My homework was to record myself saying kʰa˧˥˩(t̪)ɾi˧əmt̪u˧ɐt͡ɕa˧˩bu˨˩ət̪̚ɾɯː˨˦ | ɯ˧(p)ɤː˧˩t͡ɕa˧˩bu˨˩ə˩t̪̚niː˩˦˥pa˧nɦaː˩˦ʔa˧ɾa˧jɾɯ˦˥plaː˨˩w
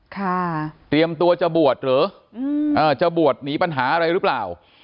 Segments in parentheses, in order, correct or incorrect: correct, incorrect: ʔ

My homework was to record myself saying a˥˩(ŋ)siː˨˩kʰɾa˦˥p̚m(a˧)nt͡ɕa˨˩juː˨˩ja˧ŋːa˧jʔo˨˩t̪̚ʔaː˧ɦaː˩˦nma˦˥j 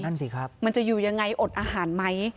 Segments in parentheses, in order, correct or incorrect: incorrect: n, correct

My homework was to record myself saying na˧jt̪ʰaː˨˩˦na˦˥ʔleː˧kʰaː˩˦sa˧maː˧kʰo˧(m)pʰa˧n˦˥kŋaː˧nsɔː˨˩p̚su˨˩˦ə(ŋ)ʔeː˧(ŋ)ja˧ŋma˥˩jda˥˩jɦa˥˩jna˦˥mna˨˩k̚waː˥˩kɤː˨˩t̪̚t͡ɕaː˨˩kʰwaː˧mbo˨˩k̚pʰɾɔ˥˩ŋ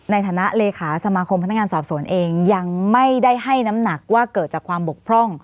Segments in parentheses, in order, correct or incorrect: correct, incorrect: n, correct

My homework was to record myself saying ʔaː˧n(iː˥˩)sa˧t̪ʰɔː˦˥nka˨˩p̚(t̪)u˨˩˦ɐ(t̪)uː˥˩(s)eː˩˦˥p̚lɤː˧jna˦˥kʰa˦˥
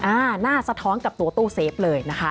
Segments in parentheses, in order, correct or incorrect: incorrect: aː˥˩, correct, correct, correct

